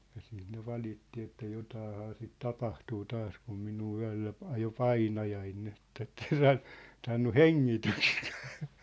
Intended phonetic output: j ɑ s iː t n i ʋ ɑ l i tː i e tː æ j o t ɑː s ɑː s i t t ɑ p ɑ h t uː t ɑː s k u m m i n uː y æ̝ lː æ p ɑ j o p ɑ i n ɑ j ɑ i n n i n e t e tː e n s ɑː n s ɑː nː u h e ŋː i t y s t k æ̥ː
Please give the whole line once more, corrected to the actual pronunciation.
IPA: j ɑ s iː t n e ʋ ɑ l i tː i e tː æ j o t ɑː h ɑː s i t t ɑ p ɑ h t uː t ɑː s k u m m i n uː y æ̝ lː æ p ɑ j o p ɑ i n ɑ j ɑ i n n i n e t e tː e n s ɑː n s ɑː nː u h e ŋː i t y s t k æ̥ː